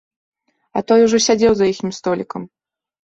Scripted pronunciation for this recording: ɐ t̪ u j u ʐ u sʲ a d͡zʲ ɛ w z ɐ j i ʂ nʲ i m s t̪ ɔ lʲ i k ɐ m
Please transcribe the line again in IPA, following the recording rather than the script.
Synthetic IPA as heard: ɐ t̪ ɔ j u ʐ ɔ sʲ a d͡zʲ ɛ w z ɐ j i x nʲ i m s t̪ ɔ lʲ i k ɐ m